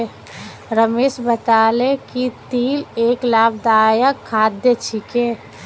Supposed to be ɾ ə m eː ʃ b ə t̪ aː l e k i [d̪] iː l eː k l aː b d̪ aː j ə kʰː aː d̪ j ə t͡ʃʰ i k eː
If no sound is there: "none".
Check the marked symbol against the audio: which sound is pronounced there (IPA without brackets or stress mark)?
t̪